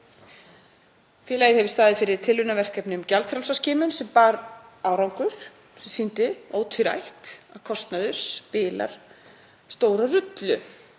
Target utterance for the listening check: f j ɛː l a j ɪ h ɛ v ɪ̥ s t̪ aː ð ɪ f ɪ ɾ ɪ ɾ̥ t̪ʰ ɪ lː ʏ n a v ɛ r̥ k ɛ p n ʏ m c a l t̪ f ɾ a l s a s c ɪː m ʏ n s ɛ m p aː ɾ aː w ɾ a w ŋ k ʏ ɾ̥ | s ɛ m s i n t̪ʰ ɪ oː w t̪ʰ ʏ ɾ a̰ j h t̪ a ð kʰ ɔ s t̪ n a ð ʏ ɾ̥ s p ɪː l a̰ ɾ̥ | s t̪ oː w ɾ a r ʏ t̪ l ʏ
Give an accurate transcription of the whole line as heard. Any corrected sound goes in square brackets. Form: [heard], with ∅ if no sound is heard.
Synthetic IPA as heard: f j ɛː l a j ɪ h ɛ v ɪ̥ s t̪ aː ð ɪ f ɪ ɾ ɪ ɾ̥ t̪ʰ ɪ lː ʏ n a v ɛ r̥ k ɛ p n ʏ m c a l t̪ f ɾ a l s a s c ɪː m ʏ n s ɛ m p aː ɾ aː w ɾ a w ŋ k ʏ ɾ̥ | s ɛ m s i n [t̪] ɪ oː w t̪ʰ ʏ ɾ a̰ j h t̪ a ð kʰ ɔ s t̪ n a ð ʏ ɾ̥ s p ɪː l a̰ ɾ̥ | s t̪ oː w ɾ a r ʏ t̪ l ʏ